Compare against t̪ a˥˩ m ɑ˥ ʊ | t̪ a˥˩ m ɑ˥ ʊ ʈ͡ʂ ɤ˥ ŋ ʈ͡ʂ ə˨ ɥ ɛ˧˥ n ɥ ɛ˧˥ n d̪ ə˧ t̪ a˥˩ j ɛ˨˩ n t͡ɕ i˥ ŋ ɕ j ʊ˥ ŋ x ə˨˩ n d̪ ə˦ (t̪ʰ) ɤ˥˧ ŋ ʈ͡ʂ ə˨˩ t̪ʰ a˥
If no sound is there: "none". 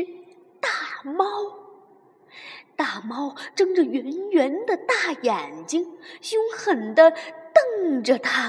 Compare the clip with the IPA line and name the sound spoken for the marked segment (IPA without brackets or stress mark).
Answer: t̪